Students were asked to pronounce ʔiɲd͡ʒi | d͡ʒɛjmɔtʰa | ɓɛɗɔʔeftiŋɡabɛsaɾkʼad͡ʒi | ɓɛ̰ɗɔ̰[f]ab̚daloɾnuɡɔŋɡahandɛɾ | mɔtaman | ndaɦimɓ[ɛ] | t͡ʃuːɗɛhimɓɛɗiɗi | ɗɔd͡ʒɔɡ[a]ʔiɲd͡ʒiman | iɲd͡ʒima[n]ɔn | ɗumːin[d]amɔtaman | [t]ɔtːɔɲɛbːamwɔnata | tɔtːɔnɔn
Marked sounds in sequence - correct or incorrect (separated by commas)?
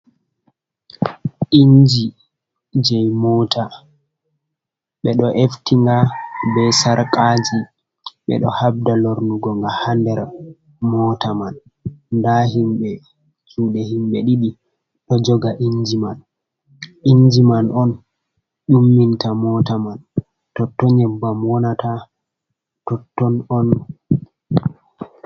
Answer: incorrect, correct, correct, correct, incorrect, correct